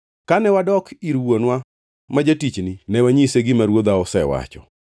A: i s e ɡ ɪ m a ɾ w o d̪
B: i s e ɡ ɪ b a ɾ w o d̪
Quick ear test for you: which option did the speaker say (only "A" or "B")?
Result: A